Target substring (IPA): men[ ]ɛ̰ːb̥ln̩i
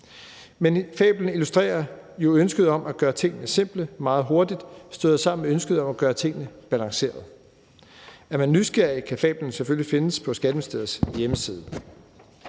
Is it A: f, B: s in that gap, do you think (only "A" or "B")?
A